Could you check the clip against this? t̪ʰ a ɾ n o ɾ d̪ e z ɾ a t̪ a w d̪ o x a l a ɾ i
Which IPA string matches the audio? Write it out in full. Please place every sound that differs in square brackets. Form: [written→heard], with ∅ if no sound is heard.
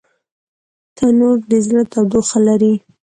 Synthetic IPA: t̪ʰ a [ɾ→∅] n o ɾ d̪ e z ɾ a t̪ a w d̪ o x a l a ɾ i